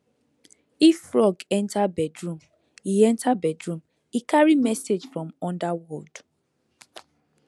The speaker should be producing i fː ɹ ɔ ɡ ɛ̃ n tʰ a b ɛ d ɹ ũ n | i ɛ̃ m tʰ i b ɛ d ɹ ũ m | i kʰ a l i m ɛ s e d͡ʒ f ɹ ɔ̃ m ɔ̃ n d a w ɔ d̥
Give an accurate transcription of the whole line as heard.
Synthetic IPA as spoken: i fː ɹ ɔ ɡ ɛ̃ n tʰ a b ɛ d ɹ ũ m | i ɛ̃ n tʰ a b ɛ d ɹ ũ m | i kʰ a ɹ i m ɛ s e d͡ʒ f ɹ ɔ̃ m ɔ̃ n d a w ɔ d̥